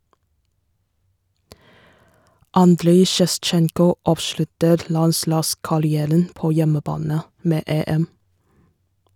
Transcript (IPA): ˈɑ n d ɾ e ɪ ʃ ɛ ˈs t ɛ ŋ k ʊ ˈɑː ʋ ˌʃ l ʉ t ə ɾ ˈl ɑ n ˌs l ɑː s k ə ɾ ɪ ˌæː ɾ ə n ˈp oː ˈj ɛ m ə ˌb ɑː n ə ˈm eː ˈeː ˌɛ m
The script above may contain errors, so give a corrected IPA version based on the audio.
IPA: ˈɑ n d ɾ e ɪ ʃ ɛ ˈs t͡ʃ ɛ ŋ k ʊ ˈɑː ʋ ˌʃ l ʉ t ə ɾ ˈl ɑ n ˌs l ɑː s k ɑ ɾ ɪ ˌæː ɾ ə n ˈp oː ˈj ɛ m ə ˌb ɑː n ə ˈm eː ˈeː ˌɛ m

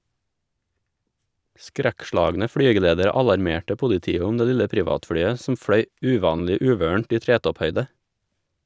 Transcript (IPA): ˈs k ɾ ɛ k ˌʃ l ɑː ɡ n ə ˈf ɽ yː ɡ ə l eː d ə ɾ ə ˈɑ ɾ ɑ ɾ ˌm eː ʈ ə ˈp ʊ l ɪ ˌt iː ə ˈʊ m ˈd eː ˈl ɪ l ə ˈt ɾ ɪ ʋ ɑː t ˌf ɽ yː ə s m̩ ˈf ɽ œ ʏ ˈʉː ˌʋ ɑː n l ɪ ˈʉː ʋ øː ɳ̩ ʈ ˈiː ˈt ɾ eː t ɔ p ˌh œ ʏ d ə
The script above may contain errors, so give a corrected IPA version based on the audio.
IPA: ˈs k ɾ æ k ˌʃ l ɑː ɡ n ə ˈf ɽ yː ɡ ə l eː d ə ɾ ə ˈɑ l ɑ ɾ ˌm eː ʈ ə ˈp ʊ l ɪ ˌt iː ə ˈʊ m ˈd eː ˈl ɪ l ə ˈp ɾ ɪ ʋ ɑː t ˌf ɽ yː ə s m̩ ˈf ɽ œ ʏ ˈʉː ˌʋ ɑː n l ɪ ˈʉː ʋ øː ɳ̩ ʈ ˈiː ˈt ɾ eː t ɔ p ˌh œ ʏ d ə

